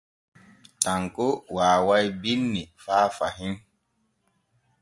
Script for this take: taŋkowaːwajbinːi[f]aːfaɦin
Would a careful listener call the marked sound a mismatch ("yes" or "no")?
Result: no